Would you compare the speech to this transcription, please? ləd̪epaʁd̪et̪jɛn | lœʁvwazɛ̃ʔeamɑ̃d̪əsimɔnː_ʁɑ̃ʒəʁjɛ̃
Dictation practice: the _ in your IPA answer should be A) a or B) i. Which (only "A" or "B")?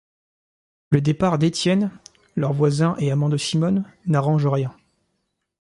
A